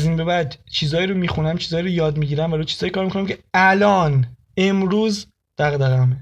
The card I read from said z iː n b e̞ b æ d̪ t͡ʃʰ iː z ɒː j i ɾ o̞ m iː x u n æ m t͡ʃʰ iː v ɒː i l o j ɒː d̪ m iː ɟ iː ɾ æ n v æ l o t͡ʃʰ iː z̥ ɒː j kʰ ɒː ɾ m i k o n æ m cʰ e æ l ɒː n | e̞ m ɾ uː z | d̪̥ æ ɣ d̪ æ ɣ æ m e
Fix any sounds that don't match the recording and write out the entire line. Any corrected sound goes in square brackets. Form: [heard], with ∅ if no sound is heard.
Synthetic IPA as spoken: z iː n b e̞ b æ d̪ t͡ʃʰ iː z ɒː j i ɾ o̞ m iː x u n æ m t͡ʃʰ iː [z] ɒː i [ɾ] o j ɒː d̪ m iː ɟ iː ɾ æ [m] v æ l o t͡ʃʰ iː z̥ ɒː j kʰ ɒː ɾ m i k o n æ m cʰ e æ l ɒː n | e̞ m ɾ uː z | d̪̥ æ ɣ d̪ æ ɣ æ m e